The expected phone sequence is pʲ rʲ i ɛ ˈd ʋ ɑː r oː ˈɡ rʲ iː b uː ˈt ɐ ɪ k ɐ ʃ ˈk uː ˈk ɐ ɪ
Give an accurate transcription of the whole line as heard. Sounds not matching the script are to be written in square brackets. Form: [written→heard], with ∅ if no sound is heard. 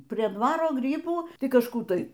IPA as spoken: pʲ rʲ i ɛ ˈd ʋ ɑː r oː ˈɡ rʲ iː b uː ˈt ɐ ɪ k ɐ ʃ ˈk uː [ˈk→ˈt] ɐ ɪ